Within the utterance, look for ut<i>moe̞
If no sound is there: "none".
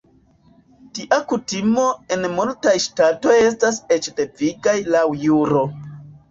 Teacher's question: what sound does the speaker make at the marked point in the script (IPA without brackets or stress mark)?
i